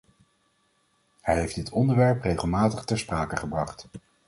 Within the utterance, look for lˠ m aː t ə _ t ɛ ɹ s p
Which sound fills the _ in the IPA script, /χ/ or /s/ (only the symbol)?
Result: χ